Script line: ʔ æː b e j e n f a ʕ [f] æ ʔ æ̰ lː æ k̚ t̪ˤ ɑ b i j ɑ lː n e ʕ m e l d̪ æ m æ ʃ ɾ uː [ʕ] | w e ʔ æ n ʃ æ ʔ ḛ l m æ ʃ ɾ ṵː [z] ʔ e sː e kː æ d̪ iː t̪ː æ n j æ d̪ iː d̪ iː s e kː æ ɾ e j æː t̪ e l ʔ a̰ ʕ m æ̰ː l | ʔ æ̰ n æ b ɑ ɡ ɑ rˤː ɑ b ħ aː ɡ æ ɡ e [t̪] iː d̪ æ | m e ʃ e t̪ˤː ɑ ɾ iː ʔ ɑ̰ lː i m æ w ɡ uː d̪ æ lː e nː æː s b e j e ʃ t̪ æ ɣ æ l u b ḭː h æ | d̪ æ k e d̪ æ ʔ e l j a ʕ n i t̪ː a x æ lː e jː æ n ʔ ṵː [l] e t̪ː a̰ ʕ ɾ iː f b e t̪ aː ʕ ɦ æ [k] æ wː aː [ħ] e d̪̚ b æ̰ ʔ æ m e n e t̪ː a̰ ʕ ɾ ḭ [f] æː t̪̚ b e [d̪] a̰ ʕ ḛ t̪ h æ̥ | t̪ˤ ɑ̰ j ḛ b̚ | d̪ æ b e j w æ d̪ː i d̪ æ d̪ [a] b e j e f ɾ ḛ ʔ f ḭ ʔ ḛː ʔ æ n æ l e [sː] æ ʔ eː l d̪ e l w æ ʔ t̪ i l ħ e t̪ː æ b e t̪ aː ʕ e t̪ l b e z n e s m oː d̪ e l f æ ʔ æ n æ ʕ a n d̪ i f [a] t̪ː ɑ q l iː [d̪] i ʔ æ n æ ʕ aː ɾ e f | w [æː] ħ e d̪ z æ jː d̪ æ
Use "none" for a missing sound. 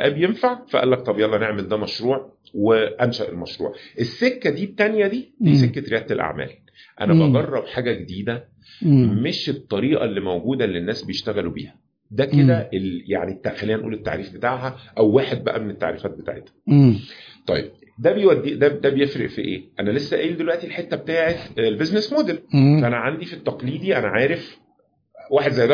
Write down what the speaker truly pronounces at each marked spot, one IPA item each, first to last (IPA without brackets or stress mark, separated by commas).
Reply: f, ʕ, ʕ, d̪, l, ʔ, ħ, f, t̪, æ, sː, i, d̪, aː